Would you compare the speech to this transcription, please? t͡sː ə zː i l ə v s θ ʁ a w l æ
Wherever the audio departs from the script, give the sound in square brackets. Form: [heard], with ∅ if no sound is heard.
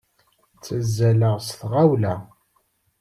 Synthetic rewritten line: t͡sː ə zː [æ] l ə [ʁ] s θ ʁ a w l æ